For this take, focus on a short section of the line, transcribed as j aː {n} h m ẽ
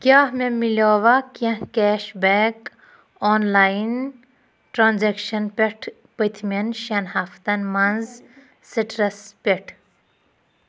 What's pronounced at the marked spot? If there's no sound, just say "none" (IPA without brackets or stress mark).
none